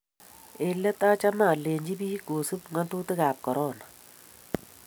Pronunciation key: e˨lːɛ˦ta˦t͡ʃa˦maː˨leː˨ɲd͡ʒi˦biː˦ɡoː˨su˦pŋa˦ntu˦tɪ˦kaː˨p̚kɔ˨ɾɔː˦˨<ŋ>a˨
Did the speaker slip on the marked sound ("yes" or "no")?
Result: yes